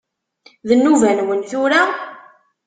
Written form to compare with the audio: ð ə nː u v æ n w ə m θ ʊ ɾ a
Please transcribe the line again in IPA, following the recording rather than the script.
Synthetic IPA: ð ə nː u v æ n w ə n θ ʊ ɾ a

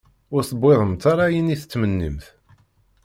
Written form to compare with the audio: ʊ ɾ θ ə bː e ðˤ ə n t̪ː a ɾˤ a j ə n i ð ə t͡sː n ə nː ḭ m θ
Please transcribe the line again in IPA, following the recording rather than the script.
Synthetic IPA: ʊ ɾ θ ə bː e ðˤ ə m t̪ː a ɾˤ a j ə n i θ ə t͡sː m ə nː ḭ m θ

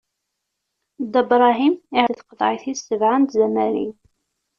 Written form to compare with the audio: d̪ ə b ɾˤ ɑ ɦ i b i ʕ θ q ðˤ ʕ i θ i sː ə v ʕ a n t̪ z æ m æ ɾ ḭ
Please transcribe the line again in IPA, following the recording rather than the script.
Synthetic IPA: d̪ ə b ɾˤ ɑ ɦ i m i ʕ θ q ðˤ ʕ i θ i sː ə v ʕ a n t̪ z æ m æ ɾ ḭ

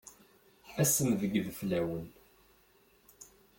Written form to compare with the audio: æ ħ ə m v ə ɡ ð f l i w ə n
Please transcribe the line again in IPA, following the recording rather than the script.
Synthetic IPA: æ s ə m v ə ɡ ð f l æ w ə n

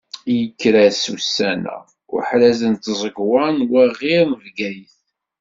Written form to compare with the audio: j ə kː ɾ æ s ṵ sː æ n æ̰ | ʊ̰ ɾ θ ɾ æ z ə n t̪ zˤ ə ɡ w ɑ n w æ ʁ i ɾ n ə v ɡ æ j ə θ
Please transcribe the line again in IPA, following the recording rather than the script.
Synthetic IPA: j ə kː ɾ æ s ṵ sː æ n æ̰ | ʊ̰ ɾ ħ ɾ æ z ə n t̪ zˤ ə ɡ w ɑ n w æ ʁ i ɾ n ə v ɡ æ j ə θ

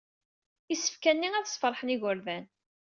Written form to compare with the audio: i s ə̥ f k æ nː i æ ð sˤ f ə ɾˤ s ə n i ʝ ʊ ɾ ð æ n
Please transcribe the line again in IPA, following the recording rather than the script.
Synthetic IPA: i s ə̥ f k æ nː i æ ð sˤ f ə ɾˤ ħ ə n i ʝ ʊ ɾ ð æ n

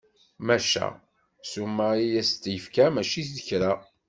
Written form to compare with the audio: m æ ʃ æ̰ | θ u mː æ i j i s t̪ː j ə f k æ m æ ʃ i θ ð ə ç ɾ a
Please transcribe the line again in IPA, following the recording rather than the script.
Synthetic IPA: m æ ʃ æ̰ | s u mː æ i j æ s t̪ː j ə f k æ m æ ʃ i θ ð ə ç ɾ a

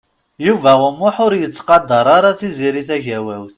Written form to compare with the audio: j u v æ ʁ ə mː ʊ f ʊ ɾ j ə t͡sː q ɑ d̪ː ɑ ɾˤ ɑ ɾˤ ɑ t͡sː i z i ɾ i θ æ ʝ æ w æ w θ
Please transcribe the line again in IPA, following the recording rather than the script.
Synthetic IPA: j u v æ ʁ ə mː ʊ ħ ʊ ɾ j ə t͡sː q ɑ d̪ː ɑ ɾˤ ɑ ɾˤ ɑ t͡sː i z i ɾ i θ æ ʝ æ w æ w θ

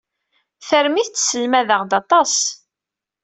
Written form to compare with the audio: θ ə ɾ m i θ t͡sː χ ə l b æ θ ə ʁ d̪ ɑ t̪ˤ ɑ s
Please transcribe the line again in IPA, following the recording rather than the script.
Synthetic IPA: θ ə ɾ m i θ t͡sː s ə l m æ ð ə ʁ d̪ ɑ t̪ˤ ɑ s

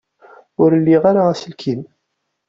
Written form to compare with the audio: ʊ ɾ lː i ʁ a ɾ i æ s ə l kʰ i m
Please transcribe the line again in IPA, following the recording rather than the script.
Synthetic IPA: ʊ ɾ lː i ʁ a ɾ a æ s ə l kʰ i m

